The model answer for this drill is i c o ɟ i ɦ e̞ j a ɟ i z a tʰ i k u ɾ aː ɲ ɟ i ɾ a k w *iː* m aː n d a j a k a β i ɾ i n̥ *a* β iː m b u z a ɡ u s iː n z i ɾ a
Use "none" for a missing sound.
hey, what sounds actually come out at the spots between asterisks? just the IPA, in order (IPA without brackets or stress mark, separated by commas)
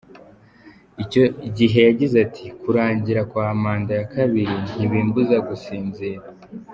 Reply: aː, i